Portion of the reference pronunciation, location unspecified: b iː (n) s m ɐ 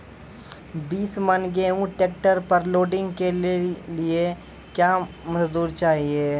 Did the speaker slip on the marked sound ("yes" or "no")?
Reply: yes